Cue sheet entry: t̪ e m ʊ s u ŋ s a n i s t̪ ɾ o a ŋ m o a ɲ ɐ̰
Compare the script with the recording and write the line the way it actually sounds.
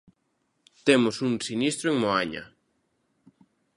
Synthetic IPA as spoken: t̪ e m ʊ s u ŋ s i n i s t̪ ɾ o e ŋ m o a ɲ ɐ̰